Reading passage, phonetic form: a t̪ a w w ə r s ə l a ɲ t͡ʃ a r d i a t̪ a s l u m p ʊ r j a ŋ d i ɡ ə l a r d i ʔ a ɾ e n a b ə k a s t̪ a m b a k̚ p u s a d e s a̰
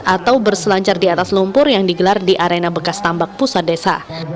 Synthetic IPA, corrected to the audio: a t̪ a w b ə r s ə l a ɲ t͡ʃ a r d i a t̪ a s l u m p ʊ r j a ŋ d i ɡ ə l a r d i ʔ a ɾ e n a b ə k a s t̪ a m b a k̚ p u s a d e s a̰